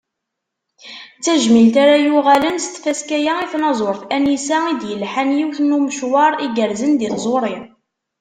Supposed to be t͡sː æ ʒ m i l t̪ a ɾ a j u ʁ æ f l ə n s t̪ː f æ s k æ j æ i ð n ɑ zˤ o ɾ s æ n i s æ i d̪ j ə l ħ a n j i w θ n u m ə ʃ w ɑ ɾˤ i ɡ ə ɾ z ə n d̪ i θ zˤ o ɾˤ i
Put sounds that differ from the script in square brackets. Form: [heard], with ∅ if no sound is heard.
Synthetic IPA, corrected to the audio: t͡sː æ ʒ m i l t̪ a ɾ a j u ʁ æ [∅] l ə n s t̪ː f æ s k æ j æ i [θ] n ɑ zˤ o ɾ [θ] æ n i s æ i d̪ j ə l ħ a n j i w θ n u m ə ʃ w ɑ ɾˤ i ɡ ə ɾ z ə n d̪ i θ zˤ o ɾˤ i